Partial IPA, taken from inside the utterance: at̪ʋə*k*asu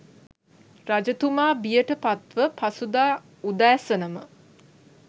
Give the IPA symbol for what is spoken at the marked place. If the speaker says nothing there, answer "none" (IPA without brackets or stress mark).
p